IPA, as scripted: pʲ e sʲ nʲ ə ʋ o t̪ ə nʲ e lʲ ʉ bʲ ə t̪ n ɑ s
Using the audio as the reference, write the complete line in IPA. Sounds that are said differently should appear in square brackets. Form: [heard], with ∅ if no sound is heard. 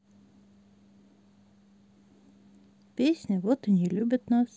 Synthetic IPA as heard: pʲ e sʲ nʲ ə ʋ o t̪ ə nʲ [i] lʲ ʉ bʲ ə t̪ n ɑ s